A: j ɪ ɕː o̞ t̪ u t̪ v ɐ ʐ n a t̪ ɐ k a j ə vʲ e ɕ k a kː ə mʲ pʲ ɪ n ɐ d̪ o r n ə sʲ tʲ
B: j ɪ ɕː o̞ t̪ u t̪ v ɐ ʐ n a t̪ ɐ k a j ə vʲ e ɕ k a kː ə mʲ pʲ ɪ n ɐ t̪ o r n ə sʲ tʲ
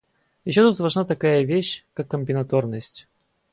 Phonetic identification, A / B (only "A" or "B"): B